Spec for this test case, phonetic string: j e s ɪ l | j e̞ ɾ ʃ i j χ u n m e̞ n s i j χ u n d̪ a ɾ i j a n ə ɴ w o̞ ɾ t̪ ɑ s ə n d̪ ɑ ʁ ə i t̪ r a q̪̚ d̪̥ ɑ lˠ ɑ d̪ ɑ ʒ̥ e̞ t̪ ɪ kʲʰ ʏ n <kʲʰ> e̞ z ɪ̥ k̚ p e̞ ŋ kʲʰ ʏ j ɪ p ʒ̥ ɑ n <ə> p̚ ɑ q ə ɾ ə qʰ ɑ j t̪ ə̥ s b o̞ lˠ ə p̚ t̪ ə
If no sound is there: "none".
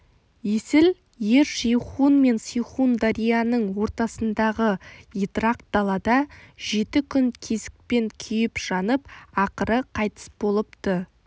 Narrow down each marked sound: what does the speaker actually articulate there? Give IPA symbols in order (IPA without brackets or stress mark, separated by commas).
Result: kʲʰ, ə